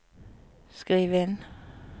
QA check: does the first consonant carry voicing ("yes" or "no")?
no